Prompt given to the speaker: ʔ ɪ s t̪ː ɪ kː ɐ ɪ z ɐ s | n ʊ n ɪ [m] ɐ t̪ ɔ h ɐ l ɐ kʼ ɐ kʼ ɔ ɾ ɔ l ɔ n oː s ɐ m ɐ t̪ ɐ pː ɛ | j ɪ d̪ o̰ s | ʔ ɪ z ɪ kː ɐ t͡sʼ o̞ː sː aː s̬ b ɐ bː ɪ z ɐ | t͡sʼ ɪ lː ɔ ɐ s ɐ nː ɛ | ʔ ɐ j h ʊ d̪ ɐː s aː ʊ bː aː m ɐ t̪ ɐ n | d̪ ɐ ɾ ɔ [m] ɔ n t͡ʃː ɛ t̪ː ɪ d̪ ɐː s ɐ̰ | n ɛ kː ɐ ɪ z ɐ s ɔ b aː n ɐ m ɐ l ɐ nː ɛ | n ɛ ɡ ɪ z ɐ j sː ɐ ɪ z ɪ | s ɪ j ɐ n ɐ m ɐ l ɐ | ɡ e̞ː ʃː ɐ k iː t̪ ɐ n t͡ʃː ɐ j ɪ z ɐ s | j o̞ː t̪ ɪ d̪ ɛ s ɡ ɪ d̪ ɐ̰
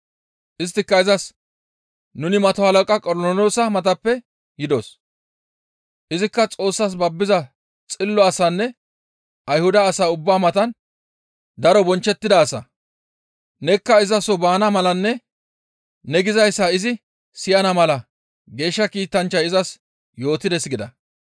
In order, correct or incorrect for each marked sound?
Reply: correct, incorrect

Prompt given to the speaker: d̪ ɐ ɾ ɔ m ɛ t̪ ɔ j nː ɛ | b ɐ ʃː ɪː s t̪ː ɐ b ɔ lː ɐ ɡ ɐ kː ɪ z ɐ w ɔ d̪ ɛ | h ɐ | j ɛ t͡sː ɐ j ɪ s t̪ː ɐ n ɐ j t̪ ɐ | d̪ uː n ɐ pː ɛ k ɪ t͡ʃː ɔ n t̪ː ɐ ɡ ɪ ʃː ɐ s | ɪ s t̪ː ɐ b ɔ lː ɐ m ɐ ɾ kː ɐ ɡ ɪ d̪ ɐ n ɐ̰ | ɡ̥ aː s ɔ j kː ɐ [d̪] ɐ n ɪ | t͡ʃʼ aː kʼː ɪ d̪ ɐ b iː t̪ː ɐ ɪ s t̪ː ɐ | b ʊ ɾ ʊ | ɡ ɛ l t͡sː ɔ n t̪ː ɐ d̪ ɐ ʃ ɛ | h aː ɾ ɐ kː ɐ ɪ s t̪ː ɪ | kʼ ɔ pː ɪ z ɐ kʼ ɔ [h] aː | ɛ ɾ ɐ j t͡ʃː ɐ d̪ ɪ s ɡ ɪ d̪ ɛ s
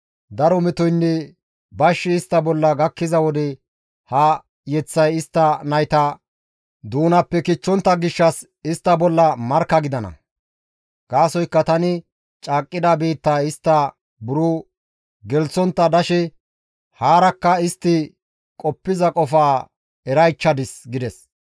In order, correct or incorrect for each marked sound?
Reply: incorrect, incorrect

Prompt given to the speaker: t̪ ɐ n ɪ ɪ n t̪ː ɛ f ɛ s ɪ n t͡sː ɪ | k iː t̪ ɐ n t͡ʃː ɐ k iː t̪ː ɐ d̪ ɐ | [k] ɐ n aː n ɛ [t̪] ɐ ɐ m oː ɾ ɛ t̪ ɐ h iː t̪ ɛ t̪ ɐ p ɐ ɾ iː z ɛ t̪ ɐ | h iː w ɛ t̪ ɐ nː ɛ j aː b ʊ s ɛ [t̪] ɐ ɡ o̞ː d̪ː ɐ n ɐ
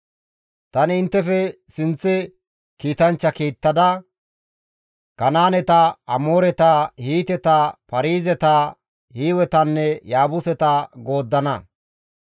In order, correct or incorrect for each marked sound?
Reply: correct, correct, correct

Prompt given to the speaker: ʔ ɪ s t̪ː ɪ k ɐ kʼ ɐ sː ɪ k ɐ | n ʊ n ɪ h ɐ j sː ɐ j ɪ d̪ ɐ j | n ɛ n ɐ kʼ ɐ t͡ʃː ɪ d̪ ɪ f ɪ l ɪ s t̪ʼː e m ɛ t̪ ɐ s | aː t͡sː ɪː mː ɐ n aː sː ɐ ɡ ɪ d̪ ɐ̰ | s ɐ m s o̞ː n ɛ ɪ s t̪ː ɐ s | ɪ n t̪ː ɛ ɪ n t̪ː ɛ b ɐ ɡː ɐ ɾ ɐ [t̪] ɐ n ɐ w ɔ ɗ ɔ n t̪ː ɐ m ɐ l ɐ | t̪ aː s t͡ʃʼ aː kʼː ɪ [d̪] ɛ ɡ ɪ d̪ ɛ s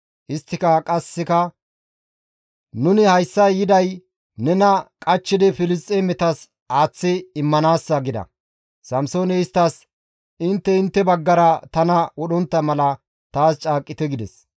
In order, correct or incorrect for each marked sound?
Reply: correct, incorrect

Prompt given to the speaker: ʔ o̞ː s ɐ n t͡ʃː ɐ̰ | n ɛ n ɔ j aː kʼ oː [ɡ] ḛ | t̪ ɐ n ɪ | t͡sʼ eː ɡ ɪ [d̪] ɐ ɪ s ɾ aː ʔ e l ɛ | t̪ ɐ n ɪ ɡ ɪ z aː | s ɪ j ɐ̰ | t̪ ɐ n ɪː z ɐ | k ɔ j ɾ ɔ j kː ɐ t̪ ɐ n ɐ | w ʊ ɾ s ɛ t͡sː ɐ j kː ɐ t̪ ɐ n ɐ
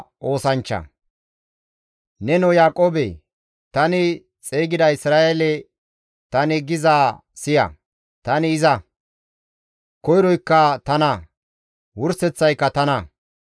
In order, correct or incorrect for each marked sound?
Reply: incorrect, correct

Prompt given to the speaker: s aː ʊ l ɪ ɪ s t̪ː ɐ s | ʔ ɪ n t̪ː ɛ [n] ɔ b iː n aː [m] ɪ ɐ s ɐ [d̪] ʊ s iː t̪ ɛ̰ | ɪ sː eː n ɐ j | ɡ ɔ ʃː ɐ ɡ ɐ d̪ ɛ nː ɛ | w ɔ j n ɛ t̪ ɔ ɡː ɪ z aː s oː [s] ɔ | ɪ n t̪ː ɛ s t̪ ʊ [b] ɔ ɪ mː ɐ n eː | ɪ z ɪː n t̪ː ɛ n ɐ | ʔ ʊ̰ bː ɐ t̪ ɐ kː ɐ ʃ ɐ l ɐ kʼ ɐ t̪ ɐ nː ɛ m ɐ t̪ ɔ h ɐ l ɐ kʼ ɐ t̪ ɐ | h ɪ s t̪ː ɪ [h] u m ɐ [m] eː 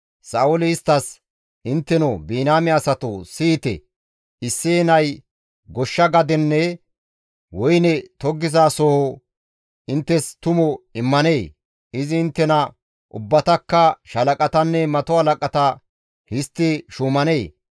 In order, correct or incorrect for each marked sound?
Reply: correct, correct, incorrect, incorrect, incorrect, incorrect, incorrect

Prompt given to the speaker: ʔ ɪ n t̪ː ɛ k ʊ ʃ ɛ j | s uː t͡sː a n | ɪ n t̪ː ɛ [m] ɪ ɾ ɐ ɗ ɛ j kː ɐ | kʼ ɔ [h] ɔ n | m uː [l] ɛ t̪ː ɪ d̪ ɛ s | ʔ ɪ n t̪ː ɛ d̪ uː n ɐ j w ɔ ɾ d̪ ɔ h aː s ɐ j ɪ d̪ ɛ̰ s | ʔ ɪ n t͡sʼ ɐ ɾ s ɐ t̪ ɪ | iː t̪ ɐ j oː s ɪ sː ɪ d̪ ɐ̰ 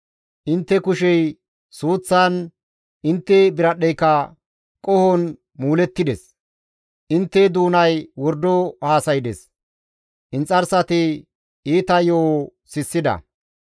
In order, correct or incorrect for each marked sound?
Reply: incorrect, correct, correct

